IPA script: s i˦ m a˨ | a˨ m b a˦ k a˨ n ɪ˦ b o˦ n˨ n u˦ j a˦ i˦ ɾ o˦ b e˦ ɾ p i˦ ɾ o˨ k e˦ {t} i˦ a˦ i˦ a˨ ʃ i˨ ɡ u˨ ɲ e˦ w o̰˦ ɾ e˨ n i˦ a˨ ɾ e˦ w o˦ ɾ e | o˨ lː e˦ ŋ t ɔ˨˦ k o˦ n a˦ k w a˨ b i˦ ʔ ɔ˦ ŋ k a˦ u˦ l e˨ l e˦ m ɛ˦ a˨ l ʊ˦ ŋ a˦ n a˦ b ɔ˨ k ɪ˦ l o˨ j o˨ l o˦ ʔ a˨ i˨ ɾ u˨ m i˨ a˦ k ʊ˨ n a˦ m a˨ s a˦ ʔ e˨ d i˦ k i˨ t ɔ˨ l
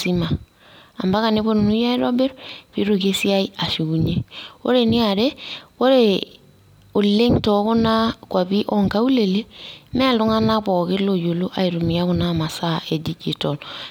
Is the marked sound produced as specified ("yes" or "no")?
no